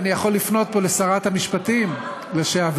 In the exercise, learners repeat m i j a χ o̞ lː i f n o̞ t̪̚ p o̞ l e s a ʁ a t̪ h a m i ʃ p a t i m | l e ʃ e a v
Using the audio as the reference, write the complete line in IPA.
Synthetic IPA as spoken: n i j a χ o̞ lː i f n o̞ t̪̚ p o̞ l e s a ʁ a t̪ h a m i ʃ p a t i m | l e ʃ e a v